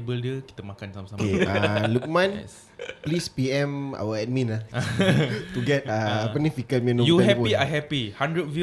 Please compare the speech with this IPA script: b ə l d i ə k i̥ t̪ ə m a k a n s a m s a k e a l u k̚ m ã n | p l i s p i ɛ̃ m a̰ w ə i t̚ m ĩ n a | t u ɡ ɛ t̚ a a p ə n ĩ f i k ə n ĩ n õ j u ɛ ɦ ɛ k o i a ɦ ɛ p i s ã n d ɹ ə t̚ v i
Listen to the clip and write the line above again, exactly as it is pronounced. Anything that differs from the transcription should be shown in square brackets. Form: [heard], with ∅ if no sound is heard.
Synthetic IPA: b ə l d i ə k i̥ t̪ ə m a k a n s a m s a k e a l u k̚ m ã n | p l i s p i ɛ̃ m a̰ w ə [ɛ] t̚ m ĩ n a | t u ɡ ɛ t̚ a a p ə n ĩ f i k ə [m] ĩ n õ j u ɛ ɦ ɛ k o i a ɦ ɛ p i [h] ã n d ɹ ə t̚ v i